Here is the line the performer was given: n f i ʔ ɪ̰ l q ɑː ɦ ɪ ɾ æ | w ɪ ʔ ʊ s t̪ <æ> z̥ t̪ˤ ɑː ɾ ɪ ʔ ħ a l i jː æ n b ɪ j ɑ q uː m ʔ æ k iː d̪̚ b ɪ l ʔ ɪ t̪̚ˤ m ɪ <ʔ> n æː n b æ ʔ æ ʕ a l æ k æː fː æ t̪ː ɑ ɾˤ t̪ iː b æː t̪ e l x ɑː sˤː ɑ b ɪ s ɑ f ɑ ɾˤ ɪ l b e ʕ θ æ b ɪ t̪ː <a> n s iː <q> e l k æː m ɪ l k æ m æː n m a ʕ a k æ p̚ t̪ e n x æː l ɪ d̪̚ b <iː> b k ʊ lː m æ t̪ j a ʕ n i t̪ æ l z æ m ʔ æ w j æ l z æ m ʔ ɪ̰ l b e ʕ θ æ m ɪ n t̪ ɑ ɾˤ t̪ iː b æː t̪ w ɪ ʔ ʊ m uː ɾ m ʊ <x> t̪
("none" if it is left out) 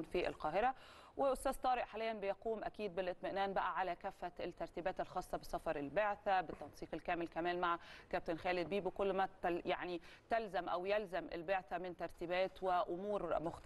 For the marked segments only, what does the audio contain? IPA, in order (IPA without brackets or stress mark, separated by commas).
æː, ʔ, ɑ, q, iː, x